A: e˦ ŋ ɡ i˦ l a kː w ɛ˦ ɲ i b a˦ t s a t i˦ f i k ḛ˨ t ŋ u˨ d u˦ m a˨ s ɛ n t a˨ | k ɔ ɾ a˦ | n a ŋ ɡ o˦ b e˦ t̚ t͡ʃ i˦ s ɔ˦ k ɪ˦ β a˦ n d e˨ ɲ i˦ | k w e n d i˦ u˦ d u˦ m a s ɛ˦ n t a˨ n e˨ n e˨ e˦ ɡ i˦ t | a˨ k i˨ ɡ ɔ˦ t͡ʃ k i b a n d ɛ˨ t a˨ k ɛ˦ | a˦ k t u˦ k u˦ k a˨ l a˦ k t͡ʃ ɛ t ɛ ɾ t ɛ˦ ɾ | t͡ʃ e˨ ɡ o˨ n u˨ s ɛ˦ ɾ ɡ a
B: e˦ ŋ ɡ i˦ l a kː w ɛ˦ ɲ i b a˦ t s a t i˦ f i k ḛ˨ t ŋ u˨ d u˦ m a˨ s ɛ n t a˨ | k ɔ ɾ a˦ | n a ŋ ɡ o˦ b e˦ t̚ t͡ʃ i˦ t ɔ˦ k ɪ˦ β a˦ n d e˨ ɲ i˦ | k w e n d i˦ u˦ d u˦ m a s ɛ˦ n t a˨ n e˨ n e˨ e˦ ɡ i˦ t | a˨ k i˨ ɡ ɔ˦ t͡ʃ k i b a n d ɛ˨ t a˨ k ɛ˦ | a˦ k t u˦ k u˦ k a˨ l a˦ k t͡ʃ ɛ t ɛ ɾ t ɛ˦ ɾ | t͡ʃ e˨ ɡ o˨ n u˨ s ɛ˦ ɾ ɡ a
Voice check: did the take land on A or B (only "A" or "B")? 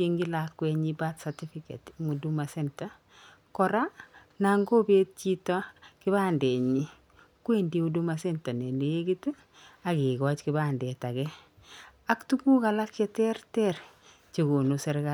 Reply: B